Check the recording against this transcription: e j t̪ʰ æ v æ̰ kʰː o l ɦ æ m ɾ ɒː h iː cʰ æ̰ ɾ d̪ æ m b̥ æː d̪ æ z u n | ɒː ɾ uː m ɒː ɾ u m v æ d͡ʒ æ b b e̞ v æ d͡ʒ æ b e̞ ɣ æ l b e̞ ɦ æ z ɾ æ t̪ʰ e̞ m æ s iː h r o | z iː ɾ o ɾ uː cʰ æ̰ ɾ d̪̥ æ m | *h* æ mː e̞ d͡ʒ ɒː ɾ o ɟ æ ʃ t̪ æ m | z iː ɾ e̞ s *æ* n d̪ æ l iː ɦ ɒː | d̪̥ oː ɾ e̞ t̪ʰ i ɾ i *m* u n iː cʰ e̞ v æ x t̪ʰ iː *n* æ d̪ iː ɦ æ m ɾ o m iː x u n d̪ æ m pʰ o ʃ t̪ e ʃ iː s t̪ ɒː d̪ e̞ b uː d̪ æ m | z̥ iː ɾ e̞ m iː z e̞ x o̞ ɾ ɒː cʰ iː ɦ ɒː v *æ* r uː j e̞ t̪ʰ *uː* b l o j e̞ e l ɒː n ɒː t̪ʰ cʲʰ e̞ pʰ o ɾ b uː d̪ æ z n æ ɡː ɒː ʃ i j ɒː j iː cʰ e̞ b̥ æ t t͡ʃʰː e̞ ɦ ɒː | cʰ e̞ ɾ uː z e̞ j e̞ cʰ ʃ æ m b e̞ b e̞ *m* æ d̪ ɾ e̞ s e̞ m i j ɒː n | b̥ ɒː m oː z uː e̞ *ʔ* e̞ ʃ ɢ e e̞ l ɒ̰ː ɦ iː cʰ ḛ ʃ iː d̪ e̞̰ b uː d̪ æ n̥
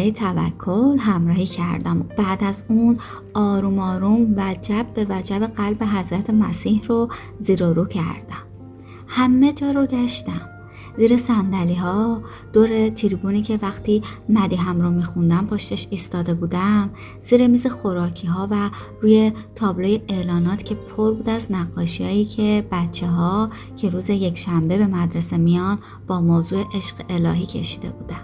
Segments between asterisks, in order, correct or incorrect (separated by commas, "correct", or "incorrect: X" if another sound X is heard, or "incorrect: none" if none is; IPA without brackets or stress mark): correct, correct, incorrect: b, incorrect: m, correct, incorrect: ɒː, correct, correct